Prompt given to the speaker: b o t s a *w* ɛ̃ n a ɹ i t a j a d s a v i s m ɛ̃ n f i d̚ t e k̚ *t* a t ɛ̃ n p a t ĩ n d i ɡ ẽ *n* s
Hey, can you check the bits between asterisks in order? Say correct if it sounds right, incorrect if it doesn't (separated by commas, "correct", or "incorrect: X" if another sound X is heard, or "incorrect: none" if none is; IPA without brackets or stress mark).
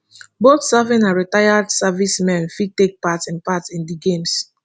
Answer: incorrect: v, incorrect: p, incorrect: m